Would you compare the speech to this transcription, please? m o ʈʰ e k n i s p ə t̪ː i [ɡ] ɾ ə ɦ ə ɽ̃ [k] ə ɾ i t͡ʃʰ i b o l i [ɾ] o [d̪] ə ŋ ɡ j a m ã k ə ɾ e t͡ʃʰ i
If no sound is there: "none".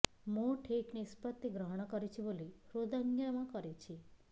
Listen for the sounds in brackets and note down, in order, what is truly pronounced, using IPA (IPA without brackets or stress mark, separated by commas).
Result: ɡ, k, ɾ, d̪